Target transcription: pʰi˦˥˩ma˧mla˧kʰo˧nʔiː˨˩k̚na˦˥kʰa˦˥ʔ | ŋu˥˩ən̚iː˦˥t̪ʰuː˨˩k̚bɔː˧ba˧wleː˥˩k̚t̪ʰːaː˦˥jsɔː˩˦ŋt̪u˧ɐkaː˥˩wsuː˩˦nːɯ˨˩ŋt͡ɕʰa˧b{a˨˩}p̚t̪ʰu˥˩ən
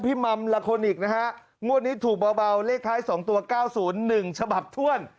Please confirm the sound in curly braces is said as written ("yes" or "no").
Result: yes